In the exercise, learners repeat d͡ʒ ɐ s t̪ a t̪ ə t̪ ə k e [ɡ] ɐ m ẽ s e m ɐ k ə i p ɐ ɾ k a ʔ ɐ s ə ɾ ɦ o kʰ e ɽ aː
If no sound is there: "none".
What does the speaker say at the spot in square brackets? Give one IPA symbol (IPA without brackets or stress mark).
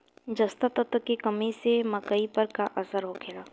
k